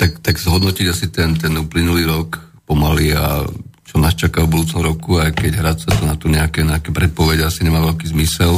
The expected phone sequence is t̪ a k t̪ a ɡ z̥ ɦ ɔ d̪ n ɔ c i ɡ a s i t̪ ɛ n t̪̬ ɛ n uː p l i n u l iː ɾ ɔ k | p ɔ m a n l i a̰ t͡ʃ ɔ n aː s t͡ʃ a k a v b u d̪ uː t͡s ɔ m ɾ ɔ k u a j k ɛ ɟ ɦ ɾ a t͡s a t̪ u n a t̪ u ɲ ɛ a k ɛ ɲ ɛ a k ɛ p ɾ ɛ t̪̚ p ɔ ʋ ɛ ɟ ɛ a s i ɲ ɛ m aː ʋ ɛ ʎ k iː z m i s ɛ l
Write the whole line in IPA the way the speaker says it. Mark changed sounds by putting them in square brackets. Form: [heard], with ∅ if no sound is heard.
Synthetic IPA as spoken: t̪ a k t̪ a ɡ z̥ ɦ ɔ d̪ n ɔ c i [ɟ] a s i t̪ ɛ n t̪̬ ɛ n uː p l i n u l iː ɾ ɔ k | p ɔ m a [∅] l i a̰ t͡ʃ ɔ n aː s t͡ʃ a k a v b u d̪ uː t͡s ɔ m ɾ ɔ k u a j k ɛ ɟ ɦ ɾ a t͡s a t̪ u n a t̪ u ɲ ɛ a k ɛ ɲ ɛ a k ɛ p ɾ ɛ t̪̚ p ɔ ʋ ɛ ɟ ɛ a s i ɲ ɛ m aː ʋ ɛ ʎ k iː z m i s ɛ l